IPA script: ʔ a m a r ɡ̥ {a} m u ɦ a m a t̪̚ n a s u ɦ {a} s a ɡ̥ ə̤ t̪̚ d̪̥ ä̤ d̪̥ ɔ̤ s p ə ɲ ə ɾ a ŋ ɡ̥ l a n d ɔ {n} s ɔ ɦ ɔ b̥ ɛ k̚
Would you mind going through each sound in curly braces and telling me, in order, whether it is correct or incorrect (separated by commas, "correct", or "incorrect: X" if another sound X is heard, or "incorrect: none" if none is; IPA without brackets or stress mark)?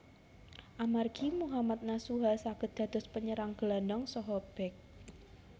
incorrect: i, correct, incorrect: ŋ